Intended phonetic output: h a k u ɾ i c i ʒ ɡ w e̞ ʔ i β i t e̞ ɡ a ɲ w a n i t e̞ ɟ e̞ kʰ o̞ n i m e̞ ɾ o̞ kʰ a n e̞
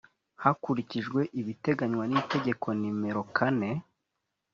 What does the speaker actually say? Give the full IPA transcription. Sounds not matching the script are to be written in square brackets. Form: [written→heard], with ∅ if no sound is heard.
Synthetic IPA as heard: h a k u ɾ i c i ʒ ɡ w e̞ ʔ i β i t e̞ ɡ a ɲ w a n i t e̞ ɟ e̞ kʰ o̞ n i m e̞ ɾ o̞ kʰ a n e̞